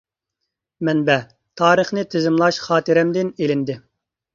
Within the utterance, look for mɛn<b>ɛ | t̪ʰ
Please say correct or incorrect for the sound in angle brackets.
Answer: correct